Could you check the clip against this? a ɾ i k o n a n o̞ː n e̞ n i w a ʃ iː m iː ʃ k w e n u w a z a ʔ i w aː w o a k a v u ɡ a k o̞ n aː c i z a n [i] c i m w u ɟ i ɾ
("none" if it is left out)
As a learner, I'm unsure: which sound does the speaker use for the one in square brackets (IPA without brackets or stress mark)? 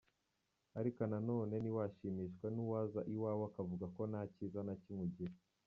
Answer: a